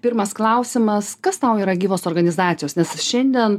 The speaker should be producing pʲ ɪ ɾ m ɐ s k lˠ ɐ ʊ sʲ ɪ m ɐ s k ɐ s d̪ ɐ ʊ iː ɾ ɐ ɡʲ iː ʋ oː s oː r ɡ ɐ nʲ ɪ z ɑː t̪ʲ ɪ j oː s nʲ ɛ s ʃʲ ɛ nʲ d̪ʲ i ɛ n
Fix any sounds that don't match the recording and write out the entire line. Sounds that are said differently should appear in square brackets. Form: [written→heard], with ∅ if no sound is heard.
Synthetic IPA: pʲ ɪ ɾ m ɐ s k lˠ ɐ ʊ sʲ ɪ m ɐ s k ɐ s [d̪→t̪] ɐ ʊ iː ɾ ɐ ɡʲ iː ʋ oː s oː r ɡ ɐ nʲ ɪ z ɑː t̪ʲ ɪ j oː s nʲ ɛ s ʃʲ ɛ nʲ d̪ʲ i ɛ n